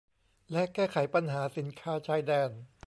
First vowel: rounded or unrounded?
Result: unrounded